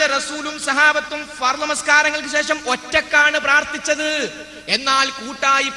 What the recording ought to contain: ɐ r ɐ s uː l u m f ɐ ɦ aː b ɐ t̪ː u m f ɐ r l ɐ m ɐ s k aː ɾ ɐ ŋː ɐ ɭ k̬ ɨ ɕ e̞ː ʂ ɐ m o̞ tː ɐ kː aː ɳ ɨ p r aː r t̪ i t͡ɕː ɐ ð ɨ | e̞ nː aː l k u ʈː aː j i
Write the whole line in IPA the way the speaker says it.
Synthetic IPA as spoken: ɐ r ɐ s uː l u m s ɐ ɦ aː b ɐ t̪ː u m f ɐ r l ɐ m ɐ s k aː ɾ ɐ ŋː ɐ ɭ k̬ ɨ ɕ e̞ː ʂ ɐ m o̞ tː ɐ kː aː ɳ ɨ p r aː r t̪ i t͡ɕː ɐ ð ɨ | e̞ nː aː l k uː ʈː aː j i